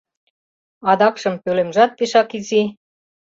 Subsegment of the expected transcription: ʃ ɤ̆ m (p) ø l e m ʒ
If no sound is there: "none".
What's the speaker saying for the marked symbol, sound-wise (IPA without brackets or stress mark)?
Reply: p